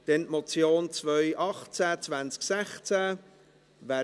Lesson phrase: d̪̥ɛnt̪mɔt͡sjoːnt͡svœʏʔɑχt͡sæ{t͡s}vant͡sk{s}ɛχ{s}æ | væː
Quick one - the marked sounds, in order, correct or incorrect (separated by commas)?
correct, correct, incorrect